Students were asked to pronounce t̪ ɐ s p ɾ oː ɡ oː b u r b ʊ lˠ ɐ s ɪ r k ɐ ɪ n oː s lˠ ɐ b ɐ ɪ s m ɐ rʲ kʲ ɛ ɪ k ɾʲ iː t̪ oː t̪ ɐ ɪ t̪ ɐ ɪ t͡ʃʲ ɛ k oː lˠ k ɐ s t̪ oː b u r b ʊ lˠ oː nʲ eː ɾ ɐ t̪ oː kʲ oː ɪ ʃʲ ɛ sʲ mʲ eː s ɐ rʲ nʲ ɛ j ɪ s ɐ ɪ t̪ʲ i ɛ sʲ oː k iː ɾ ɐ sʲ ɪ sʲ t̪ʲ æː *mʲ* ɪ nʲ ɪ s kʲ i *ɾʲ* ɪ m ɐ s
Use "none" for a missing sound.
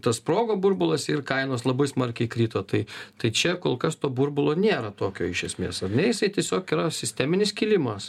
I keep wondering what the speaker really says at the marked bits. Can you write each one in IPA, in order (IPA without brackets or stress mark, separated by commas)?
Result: mʲ, lʲ